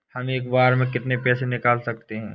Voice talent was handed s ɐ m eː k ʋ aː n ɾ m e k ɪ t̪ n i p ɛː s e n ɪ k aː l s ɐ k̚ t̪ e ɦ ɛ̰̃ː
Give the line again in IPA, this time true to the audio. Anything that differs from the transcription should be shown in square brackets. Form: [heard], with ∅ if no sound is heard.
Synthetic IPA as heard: [h] ɐ m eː k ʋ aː [∅] ɾ m [ẽ] k ɪ t̪ n [e] p ɛː s e n ɪ k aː l s ɐ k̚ t̪ e ɦ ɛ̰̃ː